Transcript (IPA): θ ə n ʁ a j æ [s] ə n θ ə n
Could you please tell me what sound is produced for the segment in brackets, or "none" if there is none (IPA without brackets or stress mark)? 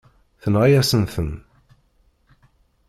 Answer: s